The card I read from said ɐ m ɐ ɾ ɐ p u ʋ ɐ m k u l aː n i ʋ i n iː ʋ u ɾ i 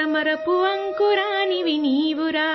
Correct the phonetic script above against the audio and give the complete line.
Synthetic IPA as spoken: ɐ m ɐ ɾ ɐ p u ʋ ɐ ŋ k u ɾ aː n i ʋ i n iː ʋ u ɾ a